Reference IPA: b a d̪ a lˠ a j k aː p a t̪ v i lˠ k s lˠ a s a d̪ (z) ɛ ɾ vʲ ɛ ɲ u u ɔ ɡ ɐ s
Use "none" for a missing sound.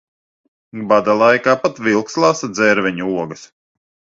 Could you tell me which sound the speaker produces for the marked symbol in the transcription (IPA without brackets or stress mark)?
z